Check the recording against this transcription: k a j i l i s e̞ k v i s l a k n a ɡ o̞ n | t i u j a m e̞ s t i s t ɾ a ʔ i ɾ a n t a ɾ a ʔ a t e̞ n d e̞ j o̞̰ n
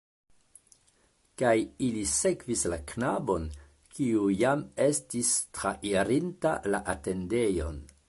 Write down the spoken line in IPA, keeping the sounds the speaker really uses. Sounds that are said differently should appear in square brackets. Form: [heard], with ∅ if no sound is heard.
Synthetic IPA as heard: k a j i l i s e̞ k v i s l a k n a [b] o̞ n | [k] i u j a m e̞ s t i s t ɾ a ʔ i ɾ [i] n t a [l] a ʔ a t e̞ n d e̞ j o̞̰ n